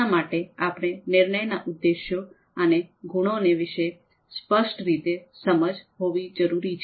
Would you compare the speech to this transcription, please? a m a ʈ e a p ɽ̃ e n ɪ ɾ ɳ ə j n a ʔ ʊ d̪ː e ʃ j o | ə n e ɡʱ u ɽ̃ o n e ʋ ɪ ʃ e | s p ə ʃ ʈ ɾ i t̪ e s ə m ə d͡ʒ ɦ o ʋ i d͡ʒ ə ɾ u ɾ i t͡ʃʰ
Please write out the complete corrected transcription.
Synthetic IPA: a m a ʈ e a p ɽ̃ e n ɪ ɾ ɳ ə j n a ʔ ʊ d̪ː e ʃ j o | ə n e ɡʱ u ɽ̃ o n e ʋ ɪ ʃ e | s p ə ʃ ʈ ɾ i t̪ e s ə m ə d͡ʒ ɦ o ʋ i d͡ʒ ə ɾ u ɾ i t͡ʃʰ